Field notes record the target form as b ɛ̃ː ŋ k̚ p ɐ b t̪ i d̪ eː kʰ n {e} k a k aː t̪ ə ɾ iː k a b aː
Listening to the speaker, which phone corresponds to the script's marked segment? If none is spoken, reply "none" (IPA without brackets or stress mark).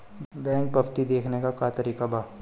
e